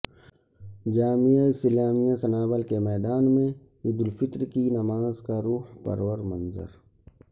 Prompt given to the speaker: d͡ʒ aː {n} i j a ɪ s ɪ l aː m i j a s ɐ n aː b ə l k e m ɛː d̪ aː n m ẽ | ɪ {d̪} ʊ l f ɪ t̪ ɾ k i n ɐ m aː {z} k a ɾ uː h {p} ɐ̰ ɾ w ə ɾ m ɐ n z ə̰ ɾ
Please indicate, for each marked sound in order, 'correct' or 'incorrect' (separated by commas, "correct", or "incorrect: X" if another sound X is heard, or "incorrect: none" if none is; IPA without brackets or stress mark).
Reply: incorrect: m, correct, correct, correct